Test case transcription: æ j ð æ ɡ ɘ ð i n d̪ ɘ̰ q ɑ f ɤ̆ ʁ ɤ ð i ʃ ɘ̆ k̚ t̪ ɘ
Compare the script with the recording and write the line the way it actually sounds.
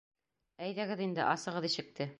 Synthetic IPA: æ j ð æ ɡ ɘ ð i n d̪ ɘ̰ ʔ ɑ s ɤ̆ ʁ ɤ ð i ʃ ɘ̆ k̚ t̪ ɘ